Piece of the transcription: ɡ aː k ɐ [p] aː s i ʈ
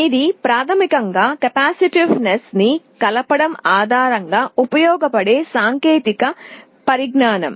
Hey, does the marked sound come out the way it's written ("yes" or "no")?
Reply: yes